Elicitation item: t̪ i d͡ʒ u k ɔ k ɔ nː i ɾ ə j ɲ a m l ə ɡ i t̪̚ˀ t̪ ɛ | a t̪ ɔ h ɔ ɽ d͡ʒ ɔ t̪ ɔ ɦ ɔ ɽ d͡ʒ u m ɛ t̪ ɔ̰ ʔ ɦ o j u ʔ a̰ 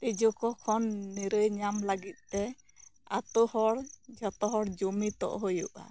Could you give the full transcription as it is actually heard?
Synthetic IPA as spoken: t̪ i d͡ʒ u k ɔ kʰ ɔ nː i ɾ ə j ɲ a m l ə ɡ i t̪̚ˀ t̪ ɛ | a t̪ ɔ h ɔ ɽ d͡ʒ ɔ t̪ ɔ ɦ ɔ ɽ d͡ʒ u m i t̪ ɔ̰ ʔ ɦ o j u ʔ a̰